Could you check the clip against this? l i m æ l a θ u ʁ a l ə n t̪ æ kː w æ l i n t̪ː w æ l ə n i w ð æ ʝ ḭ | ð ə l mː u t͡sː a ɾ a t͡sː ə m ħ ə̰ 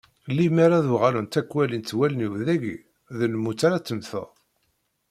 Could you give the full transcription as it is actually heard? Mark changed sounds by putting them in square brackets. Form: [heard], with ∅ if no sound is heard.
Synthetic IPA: l i m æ [ɾ] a [ð] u ʁ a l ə n t̪ æ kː w æ l i n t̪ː w æ l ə n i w ð æ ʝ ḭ | ð ə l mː u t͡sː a ɾ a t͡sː ə m [θ] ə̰